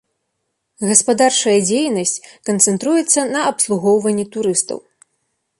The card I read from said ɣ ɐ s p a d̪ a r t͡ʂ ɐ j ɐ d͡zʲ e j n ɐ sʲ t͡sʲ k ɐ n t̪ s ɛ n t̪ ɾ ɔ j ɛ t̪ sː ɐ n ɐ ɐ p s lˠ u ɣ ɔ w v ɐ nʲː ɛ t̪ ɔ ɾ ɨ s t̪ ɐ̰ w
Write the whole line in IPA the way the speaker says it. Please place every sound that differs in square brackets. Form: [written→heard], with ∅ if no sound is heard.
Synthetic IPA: ɣ ɐ s p a d̪ a r t͡ʂ ɐ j ɐ d͡zʲ e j n ɐ sʲ t͡sʲ k ɐ n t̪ s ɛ n t̪ ɾ [ɔ→u] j ɛ t̪ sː ɐ n ɐ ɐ p s lˠ u ɣ ɔ w v ɐ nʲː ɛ t̪ [ɔ→u] ɾ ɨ s t̪ ɐ̰ w